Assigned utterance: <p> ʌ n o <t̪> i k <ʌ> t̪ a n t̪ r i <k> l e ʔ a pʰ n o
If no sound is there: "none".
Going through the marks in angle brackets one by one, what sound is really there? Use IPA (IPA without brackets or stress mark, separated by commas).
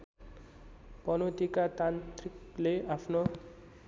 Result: p, t̪, a, k